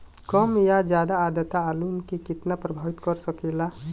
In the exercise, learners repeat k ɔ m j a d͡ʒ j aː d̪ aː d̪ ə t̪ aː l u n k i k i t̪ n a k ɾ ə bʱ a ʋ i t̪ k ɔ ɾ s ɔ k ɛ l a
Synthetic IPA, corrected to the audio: k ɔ m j a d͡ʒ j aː d̪ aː d̪ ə t̪ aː l u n k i k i t̪ n a p ɾ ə bʱ a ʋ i t̪ k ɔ ɾ s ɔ k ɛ l a